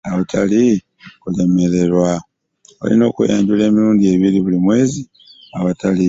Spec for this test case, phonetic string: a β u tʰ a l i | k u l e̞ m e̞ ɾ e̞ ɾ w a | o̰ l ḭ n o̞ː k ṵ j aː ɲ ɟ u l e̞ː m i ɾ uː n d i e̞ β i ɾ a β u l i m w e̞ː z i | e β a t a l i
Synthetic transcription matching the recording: a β u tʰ a l i | k u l e̞ m e̞ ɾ e̞ ɾ w a | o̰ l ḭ n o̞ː k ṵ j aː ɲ ɟ u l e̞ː m i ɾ uː n d i e̞ β i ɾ i β u l i m w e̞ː z i | a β a t a l i

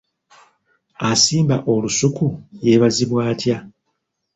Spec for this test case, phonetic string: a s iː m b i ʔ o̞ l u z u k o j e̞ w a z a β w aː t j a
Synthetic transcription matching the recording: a s iː m b a ʔ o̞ l u s u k u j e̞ β a z i β w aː t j a

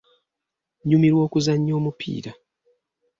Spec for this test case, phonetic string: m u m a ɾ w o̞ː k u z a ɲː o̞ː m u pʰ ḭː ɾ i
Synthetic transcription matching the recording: ɲ u m i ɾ w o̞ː k u z a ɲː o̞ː m u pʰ ḭː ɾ a

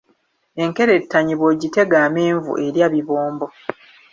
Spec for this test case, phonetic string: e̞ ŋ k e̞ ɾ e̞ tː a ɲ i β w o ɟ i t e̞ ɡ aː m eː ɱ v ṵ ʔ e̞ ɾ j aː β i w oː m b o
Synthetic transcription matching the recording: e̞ ŋ k e̞ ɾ e̞ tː a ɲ i β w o ɟ i t e̞ ɡ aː m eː ɱ v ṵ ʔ e̞ ɾ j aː β i β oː m b o

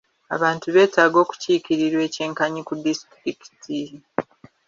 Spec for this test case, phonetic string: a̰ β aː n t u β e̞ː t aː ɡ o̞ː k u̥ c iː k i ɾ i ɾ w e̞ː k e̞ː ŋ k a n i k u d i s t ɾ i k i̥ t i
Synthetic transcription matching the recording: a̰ β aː n t u β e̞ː t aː ɡ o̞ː k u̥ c iː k i ɾ i ɾ w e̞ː c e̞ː ŋ k a ɲ i k u d i s t ɾ i k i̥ t i

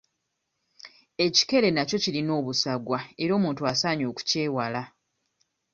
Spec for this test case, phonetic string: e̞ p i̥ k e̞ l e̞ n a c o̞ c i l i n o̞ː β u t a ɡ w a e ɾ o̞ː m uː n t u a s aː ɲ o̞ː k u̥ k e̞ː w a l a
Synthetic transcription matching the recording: e̞ c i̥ k e̞ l e̞ n a c o̞ c i l i n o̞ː β u s a ɡ w a e ɾ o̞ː m uː n t u a s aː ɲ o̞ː k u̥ c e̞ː w a l a

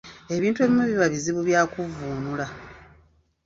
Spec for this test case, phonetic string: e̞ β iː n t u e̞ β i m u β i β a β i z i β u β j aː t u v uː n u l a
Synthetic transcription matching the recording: e̞ β iː n t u e̞ β i m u β i β a β i z i β u β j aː k u v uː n u l a

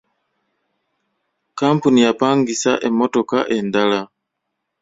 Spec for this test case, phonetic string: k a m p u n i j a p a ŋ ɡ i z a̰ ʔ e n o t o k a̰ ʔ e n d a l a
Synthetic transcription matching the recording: k a m p u n i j a p a ŋ ɡ i s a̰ ʔ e m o t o k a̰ ʔ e n d a l a

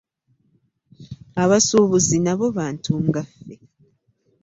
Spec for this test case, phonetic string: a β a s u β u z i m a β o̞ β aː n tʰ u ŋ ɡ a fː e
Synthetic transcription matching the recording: a β a s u β u z i n a β o̞ β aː n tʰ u ŋ ɡ a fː e

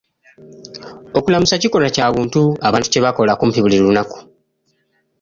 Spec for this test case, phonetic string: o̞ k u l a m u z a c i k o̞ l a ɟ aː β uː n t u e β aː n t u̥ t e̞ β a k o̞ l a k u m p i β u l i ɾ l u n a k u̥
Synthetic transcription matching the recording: o̞ k u l a m u s a c i k o̞ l a c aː β uː n t u a β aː n t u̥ c e̞ β a k o̞ l a k u m p i β u l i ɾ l u n a k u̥

